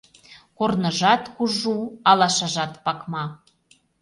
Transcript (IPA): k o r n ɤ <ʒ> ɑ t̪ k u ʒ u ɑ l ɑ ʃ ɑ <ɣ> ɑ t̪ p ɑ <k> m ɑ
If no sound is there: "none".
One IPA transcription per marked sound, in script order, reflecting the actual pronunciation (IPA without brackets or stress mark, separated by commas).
ʒ, ʒ, k